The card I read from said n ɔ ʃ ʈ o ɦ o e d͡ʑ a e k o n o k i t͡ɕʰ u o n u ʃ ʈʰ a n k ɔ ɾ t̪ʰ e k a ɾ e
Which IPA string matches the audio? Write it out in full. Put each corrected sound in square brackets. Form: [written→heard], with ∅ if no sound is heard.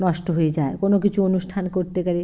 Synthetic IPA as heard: n ɔ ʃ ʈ o ɦ o e d͡ʑ a e k o n o k i t͡ɕʰ u o n u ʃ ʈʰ a n k [ɔ→o] ɾ [t̪ʰ→t̪] e k a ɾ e